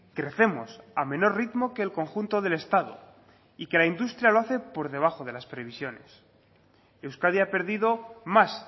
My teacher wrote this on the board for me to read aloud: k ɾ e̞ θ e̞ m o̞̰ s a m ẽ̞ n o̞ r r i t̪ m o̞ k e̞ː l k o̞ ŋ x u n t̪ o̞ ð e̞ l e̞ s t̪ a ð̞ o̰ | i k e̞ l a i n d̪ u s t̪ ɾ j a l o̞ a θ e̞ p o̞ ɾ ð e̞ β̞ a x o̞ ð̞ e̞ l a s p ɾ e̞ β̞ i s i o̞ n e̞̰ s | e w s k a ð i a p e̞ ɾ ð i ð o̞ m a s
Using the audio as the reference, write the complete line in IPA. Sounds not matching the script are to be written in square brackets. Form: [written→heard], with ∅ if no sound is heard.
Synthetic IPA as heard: k ɾ e̞ θ e̞ m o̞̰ s a m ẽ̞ n o̞ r r i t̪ m o̞ k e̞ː l k o̞ ŋ x u n t̪ o̞ ð e̞ l e̞ s t̪ a ð̞ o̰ | i k e̞ l a i n d̪ u s t̪ ɾ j a l o̞ a θ e̞ p o̞ ɾ ð e̞ β̞ a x o̞ ð̞ e̞ l a s p ɾ e̞ β̞ i s [i→j] o̞ n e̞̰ s | e w s k a ð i a p e̞ ɾ ð i ð o̞ m a s